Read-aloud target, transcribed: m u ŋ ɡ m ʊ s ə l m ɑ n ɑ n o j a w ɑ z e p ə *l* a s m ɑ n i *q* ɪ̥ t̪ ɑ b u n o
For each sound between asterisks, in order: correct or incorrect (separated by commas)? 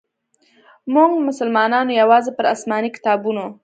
incorrect, incorrect